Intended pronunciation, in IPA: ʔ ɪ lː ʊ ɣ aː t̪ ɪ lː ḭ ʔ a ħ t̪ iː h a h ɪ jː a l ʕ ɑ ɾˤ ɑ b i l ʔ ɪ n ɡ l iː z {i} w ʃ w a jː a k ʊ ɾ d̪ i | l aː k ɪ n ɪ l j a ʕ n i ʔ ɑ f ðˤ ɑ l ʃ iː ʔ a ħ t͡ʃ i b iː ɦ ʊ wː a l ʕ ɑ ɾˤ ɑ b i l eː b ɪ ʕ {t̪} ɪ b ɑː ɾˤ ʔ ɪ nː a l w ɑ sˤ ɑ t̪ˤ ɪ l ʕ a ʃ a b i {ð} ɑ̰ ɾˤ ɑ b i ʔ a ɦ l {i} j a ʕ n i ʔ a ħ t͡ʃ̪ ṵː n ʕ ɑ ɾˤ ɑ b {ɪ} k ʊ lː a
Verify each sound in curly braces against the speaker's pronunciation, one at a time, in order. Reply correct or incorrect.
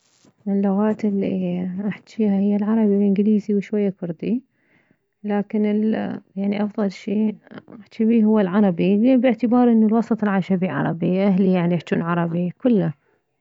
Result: correct, correct, incorrect: ʕ, correct, incorrect: i

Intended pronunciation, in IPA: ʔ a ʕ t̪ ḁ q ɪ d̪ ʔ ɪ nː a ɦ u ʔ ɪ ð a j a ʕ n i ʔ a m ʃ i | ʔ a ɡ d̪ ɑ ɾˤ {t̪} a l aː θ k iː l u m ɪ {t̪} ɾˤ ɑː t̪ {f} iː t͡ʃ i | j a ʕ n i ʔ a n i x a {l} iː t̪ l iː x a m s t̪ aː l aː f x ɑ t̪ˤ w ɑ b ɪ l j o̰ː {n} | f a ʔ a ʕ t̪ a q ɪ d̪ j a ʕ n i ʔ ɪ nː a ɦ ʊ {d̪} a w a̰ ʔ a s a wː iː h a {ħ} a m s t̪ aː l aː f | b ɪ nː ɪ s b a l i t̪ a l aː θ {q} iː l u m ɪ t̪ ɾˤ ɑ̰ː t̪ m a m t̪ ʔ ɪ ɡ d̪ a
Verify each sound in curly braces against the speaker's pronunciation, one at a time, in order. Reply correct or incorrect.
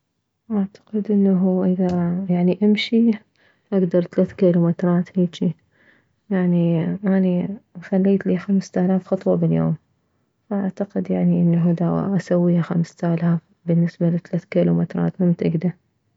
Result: correct, correct, incorrect: h, incorrect: lː, incorrect: m, correct, incorrect: x, incorrect: k

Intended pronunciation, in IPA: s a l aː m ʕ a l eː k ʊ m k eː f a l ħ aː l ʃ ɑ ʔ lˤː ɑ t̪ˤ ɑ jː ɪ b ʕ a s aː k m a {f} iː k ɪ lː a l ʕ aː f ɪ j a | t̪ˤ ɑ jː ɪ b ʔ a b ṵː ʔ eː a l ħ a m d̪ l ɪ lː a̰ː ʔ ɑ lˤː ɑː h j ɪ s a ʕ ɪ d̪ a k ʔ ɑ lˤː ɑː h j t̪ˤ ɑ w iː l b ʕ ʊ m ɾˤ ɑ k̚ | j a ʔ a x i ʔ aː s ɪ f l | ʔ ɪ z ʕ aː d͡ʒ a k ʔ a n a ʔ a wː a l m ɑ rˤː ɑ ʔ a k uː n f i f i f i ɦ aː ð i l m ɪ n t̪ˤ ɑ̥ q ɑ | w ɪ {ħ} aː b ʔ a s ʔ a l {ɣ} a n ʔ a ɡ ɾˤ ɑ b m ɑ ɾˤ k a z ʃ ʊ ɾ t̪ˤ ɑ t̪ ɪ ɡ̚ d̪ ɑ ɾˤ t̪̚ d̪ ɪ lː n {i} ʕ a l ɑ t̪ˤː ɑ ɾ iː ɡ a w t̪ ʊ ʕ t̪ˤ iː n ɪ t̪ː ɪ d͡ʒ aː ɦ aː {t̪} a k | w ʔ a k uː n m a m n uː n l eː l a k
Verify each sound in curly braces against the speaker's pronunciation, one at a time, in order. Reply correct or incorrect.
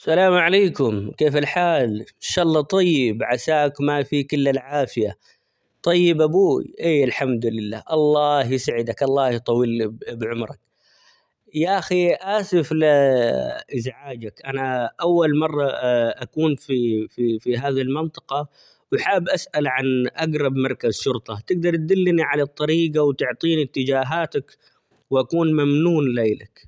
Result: correct, correct, incorrect: ʕ, correct, correct

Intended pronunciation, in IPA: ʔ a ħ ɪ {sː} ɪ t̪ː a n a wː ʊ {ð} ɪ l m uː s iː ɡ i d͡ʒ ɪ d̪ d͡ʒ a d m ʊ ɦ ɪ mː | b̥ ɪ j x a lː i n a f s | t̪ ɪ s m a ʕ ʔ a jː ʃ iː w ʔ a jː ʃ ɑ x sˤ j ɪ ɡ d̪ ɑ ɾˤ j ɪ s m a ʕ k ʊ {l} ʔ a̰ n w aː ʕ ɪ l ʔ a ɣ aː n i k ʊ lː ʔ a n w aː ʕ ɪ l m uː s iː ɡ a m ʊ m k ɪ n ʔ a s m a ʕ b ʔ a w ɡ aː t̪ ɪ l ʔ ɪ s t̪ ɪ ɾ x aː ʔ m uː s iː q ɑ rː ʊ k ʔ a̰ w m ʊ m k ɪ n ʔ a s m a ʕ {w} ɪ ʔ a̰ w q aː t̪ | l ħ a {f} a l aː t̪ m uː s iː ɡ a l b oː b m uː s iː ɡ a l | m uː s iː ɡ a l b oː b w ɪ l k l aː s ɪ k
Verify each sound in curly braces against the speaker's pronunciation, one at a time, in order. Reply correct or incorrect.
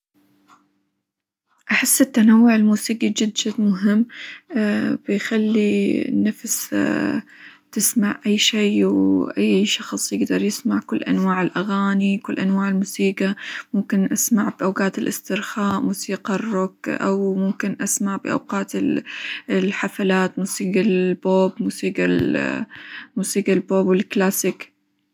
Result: correct, incorrect: ʕ, incorrect: lː, incorrect: b, correct

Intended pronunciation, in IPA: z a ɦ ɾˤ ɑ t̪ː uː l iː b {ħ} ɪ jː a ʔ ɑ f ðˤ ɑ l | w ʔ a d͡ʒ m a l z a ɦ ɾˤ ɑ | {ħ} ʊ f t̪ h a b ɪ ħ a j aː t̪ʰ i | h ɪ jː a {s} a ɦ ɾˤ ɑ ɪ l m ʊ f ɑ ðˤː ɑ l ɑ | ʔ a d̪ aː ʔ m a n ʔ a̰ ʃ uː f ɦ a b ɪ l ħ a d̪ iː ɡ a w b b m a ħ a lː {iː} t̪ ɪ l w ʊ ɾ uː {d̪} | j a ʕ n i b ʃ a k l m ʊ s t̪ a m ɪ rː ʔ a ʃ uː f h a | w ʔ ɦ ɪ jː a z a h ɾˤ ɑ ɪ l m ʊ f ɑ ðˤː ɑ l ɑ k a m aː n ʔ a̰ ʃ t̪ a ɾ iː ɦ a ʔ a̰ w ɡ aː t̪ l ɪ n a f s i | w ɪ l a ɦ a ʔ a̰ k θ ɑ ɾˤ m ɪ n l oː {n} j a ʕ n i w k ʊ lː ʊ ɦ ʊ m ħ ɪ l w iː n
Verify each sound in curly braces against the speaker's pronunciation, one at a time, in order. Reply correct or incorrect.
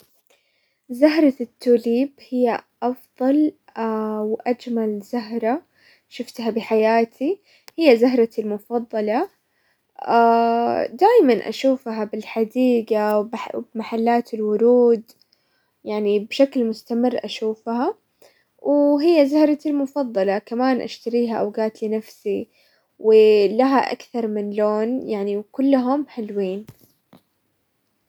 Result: incorrect: h, incorrect: ʃ, incorrect: z, incorrect: aː, correct, correct

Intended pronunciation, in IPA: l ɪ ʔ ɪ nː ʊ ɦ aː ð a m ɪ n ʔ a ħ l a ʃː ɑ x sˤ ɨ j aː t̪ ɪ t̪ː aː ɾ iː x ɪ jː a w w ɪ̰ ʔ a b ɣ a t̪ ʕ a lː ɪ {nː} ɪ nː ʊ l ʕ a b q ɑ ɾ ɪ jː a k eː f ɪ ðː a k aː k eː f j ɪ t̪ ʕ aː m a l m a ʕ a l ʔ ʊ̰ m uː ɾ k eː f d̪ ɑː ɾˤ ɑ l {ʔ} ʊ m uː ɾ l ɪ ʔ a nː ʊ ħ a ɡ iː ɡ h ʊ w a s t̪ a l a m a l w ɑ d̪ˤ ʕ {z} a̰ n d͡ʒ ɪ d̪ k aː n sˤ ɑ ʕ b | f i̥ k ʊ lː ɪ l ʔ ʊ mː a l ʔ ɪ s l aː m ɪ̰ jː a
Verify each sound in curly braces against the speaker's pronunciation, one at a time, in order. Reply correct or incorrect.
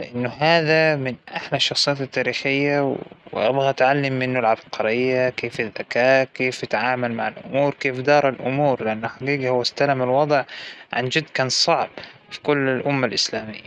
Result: incorrect: mː, correct, incorrect: ʕ

